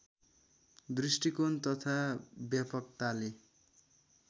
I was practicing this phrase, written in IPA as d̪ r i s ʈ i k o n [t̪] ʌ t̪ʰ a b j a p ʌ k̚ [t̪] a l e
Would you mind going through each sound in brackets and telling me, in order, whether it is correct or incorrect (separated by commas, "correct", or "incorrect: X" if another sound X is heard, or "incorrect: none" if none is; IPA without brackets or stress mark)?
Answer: correct, correct